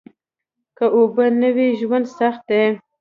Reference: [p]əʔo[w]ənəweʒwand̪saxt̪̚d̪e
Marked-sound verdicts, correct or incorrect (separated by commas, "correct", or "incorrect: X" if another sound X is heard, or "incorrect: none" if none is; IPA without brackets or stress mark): incorrect: k, incorrect: b